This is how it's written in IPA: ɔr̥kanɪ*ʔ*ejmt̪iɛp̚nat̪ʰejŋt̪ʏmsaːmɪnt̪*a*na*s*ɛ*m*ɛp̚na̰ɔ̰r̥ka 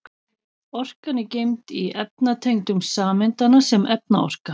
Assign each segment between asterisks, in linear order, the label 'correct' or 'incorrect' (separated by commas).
incorrect, correct, correct, correct